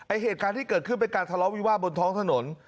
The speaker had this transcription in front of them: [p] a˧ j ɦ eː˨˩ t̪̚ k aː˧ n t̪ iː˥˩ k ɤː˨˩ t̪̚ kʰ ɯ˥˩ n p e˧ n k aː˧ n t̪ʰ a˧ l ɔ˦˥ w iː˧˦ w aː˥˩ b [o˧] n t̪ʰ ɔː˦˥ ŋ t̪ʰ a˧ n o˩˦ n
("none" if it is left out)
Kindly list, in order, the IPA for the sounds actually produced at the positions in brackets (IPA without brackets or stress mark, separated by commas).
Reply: ʔ, o˧